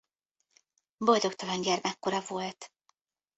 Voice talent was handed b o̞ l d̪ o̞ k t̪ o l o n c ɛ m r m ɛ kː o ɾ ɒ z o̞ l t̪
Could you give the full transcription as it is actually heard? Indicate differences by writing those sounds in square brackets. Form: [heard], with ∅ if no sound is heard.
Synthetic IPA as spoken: b o̞ l d̪ o̞ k t̪ [ɒ] l [ɒ] n [ɟ] ɛ [∅] r m ɛ kː o ɾ ɒ [v] o̞ l t̪